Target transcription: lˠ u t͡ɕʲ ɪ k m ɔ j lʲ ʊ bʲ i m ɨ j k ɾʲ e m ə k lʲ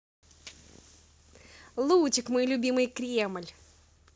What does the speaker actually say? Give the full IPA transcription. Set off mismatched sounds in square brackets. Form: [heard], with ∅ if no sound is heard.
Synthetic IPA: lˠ u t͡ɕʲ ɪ k m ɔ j lʲ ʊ bʲ i m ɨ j k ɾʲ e m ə [∅] lʲ